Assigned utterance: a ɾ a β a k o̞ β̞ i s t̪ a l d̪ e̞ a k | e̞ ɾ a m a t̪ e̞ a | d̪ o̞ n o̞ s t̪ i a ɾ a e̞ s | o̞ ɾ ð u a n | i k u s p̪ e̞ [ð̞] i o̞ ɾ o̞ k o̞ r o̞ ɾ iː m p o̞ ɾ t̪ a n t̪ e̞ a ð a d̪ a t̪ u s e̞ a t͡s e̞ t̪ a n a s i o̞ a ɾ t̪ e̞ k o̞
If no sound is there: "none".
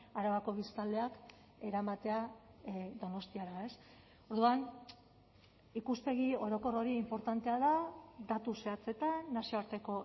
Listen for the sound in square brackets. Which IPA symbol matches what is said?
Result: ɣ̞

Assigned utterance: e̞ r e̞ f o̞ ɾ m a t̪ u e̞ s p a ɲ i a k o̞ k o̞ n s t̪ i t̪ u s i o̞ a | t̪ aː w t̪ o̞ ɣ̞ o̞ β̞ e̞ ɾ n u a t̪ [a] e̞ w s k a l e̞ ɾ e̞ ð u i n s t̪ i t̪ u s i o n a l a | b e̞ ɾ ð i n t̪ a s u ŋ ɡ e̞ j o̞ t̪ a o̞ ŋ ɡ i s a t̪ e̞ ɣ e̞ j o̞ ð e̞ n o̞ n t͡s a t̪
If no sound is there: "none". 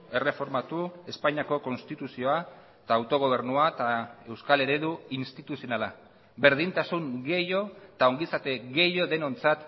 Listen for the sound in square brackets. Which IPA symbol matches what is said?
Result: a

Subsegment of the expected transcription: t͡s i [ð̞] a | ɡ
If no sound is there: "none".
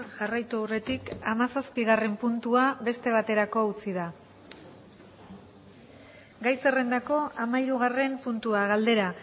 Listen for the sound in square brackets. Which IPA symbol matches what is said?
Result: ð̞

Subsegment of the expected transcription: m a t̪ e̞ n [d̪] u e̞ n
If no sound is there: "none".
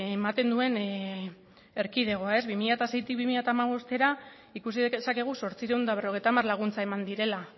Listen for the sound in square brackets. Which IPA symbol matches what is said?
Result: d̪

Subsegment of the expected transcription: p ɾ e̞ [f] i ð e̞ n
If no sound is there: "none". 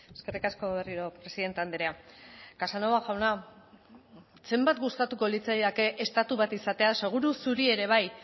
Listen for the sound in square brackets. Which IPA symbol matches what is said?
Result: s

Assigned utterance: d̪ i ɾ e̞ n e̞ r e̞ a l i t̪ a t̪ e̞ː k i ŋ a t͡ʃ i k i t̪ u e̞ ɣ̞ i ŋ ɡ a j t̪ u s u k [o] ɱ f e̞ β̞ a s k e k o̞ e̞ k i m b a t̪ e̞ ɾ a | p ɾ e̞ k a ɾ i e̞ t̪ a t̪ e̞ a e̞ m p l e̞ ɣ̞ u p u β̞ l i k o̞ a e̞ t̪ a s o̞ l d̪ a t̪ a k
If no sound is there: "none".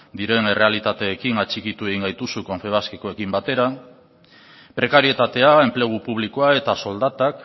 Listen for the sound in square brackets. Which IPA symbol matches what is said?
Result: o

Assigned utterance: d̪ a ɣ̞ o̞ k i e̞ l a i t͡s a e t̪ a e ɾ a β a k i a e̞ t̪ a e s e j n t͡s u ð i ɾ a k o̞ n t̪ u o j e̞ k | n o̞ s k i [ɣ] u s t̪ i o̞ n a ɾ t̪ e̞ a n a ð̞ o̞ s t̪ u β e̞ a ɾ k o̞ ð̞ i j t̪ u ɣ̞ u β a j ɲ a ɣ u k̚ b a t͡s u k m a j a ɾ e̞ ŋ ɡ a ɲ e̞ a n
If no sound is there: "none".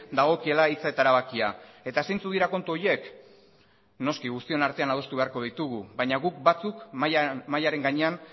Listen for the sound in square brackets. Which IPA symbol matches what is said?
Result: ɣ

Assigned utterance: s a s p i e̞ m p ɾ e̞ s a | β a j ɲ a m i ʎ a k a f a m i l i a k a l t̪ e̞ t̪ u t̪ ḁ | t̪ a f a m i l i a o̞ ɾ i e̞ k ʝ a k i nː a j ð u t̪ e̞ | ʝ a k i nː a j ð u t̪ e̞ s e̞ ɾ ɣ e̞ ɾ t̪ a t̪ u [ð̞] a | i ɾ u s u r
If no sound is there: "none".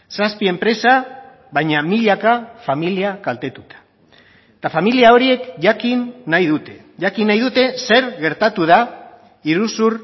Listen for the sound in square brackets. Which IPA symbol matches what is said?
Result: ð̞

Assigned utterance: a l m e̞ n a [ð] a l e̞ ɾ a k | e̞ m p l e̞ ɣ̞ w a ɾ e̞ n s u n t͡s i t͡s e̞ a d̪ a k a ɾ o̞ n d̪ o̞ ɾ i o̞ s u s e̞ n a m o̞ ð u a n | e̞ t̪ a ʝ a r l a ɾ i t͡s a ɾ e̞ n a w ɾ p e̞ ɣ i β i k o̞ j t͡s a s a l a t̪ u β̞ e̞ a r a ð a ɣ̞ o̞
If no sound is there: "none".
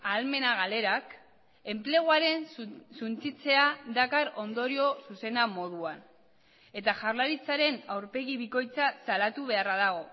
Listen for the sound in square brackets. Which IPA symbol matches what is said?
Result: ɣ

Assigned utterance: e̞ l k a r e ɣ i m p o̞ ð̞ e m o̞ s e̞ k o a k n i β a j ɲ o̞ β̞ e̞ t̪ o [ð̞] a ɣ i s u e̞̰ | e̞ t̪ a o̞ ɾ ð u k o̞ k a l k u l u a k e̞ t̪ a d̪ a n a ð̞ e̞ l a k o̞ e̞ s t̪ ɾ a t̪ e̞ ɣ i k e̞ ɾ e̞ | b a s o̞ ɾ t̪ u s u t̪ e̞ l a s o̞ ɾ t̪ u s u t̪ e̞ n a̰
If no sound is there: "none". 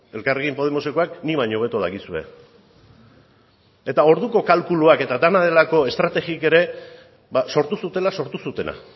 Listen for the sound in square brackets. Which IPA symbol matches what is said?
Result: ð̞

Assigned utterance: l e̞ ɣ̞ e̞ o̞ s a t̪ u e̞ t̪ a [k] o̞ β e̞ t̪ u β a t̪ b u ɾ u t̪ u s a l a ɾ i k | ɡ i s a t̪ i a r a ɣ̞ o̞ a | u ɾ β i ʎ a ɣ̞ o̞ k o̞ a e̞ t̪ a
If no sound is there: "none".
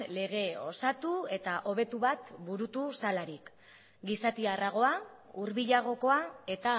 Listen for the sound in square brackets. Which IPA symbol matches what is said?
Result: ʔ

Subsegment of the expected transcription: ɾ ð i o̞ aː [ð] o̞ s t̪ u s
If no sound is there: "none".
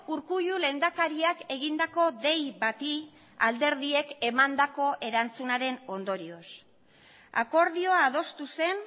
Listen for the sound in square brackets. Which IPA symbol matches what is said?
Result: ð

